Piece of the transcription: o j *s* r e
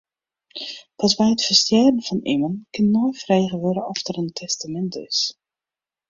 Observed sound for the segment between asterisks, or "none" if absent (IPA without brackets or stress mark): f